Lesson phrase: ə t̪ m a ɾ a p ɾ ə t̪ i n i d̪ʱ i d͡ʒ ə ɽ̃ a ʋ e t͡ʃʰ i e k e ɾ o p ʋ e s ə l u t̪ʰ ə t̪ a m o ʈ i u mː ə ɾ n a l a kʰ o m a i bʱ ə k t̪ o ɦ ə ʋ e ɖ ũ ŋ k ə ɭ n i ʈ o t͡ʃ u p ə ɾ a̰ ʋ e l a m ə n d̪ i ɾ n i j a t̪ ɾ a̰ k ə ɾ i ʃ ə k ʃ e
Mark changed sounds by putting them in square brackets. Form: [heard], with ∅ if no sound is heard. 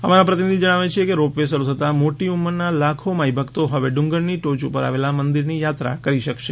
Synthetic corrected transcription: ə [∅] m a ɾ a p ɾ ə t̪ i n i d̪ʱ i d͡ʒ ə ɽ̃ a ʋ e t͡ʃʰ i e k e ɾ o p ʋ e s ə [ɾ] u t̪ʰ ə t̪ a m o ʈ i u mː ə ɾ n a l a kʰ o m a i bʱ ə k t̪ o ɦ ə ʋ e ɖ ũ ŋ [ɡ] ə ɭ n i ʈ o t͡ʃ u p ə ɾ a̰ ʋ e l a m ə n d̪ i ɾ n i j a t̪ ɾ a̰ k ə ɾ i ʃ ə k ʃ e